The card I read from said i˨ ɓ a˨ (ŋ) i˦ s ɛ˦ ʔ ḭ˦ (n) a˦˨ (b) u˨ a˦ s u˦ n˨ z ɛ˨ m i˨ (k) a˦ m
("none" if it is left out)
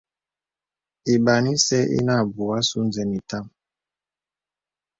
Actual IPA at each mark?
n, n, b, t

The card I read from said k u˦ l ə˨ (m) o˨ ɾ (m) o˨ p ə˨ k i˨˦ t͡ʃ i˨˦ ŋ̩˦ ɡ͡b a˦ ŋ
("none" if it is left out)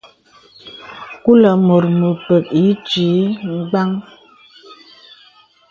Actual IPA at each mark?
m, m

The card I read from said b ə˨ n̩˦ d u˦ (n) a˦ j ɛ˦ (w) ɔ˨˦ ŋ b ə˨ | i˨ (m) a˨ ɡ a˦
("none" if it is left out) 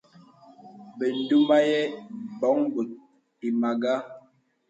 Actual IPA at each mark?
m, b, m

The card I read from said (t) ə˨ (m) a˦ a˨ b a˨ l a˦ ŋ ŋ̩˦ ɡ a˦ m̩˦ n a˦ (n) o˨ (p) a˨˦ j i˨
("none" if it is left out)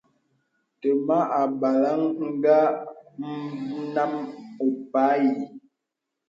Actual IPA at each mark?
t, m, m, p

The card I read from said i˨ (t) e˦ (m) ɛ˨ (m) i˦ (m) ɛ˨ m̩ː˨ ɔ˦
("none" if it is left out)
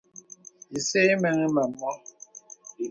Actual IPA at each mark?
s, m, ŋ, m

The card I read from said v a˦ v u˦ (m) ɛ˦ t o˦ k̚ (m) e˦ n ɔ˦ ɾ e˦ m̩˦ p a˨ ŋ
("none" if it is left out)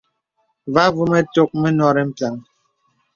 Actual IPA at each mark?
m, m

